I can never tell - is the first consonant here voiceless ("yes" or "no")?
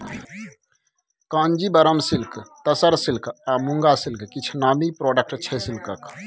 yes